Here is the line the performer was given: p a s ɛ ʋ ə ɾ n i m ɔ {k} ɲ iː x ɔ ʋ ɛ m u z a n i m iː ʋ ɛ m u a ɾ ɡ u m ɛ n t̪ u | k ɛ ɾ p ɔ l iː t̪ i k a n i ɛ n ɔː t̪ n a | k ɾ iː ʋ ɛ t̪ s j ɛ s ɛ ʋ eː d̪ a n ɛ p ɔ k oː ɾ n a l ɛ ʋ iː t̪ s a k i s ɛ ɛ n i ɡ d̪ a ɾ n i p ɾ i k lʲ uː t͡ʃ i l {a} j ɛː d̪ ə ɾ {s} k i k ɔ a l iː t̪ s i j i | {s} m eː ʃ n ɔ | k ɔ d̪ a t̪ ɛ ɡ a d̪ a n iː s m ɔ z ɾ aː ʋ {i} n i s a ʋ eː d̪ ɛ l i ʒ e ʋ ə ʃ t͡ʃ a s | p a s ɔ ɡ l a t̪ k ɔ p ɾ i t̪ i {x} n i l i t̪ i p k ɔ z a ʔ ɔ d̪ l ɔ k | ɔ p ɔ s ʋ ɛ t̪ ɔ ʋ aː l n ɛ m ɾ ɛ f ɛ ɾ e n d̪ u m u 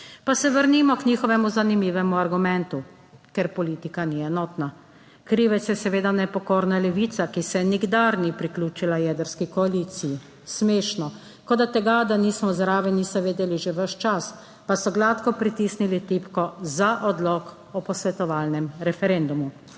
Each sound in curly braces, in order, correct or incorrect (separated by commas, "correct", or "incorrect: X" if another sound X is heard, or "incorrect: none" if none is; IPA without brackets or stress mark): correct, correct, correct, correct, incorrect: ɛ, incorrect: s